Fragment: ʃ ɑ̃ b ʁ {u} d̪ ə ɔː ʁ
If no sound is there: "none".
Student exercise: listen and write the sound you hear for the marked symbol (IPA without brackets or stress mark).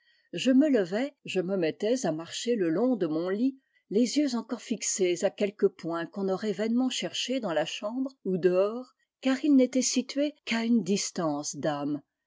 u